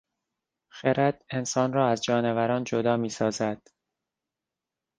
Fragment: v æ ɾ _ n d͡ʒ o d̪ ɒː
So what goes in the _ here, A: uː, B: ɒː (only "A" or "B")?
B